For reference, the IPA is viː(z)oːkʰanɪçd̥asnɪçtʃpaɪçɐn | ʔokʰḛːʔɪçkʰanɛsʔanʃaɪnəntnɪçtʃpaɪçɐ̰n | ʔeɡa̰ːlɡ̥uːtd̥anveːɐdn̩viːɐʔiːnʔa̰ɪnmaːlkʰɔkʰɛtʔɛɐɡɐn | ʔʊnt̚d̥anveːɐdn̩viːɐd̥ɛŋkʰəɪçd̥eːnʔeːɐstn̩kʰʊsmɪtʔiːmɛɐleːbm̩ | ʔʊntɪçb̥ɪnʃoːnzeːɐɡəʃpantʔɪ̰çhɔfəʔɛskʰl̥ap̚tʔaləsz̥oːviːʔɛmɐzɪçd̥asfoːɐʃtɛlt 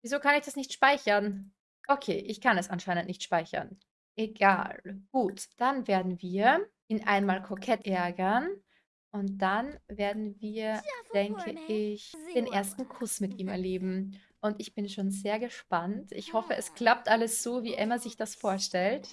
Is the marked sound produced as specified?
yes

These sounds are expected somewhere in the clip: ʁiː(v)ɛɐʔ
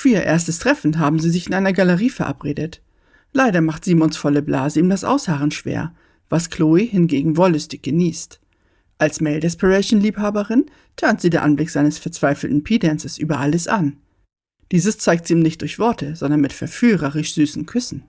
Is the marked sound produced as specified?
no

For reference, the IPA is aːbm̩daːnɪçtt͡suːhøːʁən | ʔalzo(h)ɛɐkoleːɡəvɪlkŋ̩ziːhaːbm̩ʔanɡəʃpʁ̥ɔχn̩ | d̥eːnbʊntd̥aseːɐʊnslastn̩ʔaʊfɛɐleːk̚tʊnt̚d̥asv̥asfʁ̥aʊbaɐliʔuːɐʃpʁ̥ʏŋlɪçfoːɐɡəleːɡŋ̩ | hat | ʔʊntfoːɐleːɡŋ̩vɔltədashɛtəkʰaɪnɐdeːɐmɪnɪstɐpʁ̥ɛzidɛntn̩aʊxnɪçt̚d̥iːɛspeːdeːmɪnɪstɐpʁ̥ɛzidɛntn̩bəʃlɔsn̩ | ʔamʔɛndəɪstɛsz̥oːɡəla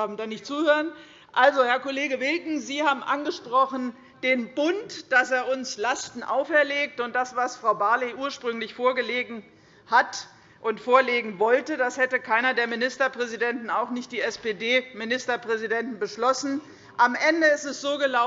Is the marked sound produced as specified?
yes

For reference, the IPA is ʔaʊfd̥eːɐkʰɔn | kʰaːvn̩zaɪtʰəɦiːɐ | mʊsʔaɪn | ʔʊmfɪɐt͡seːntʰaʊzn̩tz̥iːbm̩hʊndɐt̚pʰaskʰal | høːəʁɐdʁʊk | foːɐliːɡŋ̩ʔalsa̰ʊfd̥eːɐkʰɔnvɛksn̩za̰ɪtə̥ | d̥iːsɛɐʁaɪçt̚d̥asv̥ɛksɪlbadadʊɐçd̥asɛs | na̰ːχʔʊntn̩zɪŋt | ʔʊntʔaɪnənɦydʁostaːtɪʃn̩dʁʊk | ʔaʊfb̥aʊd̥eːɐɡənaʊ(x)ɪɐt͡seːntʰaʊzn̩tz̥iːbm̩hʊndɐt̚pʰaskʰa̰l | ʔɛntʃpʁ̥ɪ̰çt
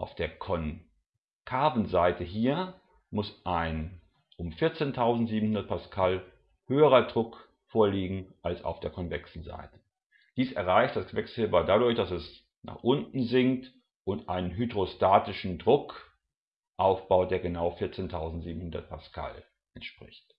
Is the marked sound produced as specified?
no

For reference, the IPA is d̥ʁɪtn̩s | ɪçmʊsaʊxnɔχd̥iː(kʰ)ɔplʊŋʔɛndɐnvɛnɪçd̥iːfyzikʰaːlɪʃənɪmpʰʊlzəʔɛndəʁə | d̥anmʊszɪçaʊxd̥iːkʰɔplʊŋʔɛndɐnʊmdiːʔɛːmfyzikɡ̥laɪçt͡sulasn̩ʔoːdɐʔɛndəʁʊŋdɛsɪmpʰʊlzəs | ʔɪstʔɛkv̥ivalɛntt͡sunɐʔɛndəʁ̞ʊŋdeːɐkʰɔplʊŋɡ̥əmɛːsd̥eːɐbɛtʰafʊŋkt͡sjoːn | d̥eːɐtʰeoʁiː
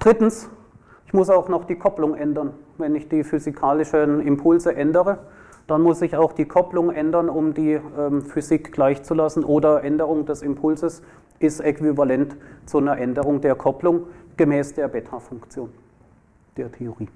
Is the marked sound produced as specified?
yes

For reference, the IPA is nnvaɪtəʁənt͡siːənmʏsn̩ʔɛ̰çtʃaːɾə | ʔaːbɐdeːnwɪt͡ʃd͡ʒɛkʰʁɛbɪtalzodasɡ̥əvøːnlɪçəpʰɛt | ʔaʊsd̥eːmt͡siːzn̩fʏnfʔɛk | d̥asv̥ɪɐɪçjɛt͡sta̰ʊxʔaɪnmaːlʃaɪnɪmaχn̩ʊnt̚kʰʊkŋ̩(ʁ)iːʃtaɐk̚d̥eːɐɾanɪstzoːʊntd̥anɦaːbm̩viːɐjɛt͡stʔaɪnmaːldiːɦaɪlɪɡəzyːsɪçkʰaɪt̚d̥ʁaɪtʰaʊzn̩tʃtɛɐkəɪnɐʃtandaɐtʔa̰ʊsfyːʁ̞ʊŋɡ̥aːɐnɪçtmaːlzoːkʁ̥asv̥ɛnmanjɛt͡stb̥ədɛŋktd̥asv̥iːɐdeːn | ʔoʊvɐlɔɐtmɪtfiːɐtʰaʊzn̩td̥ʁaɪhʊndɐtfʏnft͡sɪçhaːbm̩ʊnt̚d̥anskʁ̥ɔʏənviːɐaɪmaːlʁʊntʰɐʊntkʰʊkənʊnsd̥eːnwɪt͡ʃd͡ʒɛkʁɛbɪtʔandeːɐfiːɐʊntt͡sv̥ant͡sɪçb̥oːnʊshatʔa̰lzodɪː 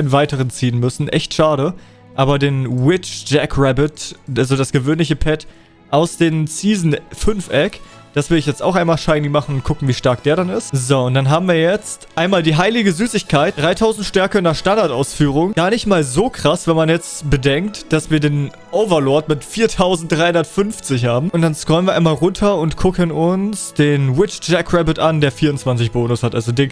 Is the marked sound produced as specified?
no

